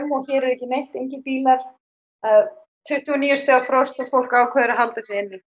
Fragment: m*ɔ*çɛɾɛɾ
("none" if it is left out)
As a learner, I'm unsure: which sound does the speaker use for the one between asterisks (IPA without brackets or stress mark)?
ɔ